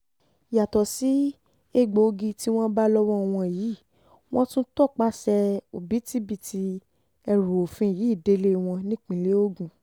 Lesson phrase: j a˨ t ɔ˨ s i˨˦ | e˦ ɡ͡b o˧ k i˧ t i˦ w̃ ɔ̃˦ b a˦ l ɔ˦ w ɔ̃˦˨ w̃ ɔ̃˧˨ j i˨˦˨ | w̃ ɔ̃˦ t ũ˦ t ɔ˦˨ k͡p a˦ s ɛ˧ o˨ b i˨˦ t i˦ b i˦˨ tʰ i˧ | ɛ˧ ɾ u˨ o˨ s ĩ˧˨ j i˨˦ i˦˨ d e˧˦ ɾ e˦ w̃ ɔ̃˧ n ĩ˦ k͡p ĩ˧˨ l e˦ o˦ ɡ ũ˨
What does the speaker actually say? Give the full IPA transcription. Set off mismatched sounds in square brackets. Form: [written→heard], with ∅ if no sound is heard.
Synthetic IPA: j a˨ t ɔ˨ s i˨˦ | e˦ ɡ͡b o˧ [k→ɡ] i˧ t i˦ w̃ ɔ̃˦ b a˦ l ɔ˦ w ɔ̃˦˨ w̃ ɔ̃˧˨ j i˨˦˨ | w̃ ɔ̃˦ t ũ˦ t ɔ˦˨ k͡p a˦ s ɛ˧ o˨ b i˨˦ t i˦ b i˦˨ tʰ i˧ | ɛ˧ ɾ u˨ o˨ [s→f] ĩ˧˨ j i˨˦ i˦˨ d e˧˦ [ɾ→l] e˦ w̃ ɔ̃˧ n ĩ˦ k͡p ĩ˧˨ l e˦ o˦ ɡ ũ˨